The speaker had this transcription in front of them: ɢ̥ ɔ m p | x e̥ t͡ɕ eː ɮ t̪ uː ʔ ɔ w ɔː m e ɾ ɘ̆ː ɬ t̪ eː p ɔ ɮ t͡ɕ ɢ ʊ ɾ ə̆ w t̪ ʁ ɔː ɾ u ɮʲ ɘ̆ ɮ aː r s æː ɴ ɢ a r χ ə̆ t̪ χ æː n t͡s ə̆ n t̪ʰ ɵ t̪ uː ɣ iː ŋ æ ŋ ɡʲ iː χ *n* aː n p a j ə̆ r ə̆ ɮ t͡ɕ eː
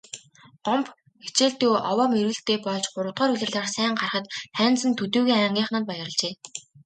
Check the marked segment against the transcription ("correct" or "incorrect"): correct